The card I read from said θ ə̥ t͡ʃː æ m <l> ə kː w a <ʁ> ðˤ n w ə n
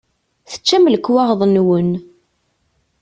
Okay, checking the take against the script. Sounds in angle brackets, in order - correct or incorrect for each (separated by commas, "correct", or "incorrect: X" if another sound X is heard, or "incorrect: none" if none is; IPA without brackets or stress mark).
correct, correct